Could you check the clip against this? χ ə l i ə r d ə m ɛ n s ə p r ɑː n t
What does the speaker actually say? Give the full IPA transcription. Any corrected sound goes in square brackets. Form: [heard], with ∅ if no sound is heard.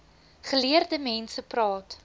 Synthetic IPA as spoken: χ ə l i ə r d ə m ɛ n s ə p r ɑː [∅] t